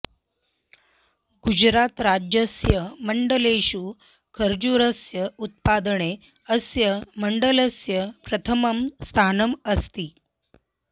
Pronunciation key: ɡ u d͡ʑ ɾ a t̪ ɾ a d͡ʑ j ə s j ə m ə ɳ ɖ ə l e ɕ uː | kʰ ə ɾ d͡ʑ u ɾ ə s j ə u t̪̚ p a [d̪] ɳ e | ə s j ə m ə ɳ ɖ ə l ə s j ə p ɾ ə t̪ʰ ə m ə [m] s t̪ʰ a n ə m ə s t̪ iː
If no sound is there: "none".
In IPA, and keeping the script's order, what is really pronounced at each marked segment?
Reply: d̪, m

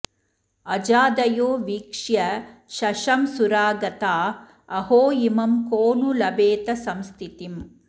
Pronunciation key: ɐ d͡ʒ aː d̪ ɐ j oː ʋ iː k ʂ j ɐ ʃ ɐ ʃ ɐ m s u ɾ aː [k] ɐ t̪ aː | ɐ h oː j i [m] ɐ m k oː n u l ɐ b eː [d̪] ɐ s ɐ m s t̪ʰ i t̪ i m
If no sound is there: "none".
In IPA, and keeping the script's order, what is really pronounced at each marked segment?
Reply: ɡ, m, t̪

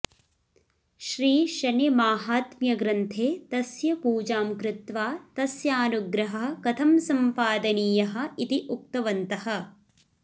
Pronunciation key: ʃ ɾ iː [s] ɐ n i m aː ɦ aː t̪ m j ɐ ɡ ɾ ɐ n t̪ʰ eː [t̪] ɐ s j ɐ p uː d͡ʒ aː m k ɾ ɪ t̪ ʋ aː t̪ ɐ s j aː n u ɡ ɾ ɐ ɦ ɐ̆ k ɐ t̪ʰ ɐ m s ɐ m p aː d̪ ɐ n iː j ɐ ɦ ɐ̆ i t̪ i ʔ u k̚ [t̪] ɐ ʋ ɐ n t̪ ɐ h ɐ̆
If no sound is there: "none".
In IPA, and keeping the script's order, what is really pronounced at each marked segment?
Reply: ʃ, t̪, t̪

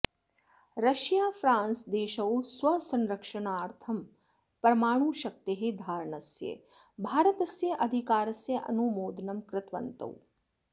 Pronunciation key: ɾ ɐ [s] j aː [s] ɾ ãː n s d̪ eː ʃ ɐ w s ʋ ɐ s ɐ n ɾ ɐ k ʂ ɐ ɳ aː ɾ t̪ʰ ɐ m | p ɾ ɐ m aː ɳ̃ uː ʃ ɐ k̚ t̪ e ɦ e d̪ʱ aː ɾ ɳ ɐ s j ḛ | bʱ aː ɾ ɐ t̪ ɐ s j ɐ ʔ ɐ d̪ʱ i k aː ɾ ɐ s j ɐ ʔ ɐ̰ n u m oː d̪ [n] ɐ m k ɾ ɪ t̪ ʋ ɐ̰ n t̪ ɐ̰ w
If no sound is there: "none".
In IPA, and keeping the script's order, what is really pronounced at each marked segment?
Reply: ʃ, f, n

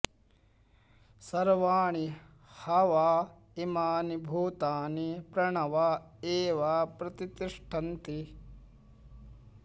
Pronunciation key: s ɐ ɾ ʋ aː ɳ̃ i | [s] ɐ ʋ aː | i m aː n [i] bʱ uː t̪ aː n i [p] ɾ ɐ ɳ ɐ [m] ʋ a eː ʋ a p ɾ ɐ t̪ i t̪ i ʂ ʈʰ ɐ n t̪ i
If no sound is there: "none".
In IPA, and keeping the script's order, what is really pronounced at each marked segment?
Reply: h, i, p, none

